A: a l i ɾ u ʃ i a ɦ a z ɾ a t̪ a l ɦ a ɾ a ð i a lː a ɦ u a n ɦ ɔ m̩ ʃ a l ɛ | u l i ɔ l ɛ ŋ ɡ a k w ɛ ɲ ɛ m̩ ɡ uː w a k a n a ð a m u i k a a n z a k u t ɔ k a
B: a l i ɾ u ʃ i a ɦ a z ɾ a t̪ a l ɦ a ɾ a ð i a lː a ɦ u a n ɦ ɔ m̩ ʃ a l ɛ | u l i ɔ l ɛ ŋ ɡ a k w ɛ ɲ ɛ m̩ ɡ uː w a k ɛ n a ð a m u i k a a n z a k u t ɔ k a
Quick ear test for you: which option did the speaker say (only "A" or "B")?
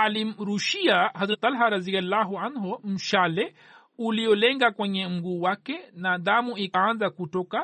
B